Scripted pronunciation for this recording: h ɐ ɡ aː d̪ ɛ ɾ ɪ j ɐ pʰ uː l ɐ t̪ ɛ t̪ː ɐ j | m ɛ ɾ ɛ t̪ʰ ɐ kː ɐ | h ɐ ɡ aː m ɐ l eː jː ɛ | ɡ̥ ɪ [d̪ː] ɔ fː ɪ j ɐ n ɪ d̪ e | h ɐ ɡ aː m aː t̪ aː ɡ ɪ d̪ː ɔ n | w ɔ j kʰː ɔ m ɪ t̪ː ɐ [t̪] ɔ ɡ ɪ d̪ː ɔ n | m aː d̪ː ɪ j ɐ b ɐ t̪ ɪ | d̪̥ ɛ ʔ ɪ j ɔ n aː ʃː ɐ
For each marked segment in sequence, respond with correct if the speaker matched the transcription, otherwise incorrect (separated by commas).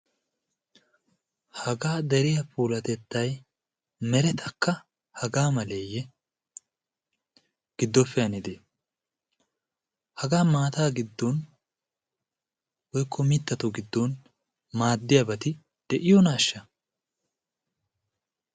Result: correct, correct